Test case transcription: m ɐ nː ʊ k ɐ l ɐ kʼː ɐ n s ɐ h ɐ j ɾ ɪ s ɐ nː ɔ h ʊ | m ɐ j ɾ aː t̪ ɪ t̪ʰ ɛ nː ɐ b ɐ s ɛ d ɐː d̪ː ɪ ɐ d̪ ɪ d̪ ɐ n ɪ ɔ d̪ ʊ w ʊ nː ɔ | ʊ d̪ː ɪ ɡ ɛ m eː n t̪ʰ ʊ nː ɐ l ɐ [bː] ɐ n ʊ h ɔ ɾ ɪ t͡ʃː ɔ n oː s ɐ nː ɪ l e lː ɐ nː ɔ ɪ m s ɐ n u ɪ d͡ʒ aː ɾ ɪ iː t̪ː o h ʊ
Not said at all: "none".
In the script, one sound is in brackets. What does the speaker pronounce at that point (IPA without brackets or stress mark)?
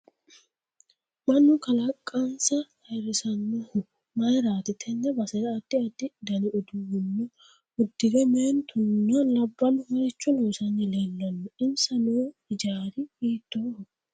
bː